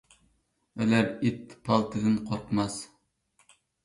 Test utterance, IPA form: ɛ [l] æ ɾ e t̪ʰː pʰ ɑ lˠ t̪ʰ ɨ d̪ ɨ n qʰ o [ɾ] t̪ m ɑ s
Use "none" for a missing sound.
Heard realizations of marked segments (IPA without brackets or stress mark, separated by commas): l, ɾ